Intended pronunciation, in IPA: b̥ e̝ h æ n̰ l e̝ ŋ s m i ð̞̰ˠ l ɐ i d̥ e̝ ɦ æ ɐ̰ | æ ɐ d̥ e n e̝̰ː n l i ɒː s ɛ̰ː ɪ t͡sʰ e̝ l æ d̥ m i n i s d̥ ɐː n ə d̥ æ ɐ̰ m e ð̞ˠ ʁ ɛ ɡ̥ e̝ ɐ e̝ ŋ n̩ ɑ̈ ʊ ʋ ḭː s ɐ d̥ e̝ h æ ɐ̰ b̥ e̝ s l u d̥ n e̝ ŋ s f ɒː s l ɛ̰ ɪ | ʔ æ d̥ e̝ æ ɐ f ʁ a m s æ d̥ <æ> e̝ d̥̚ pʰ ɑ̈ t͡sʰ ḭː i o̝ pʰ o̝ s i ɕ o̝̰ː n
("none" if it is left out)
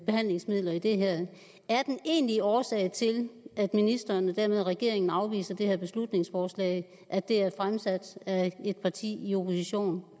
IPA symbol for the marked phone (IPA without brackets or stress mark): æ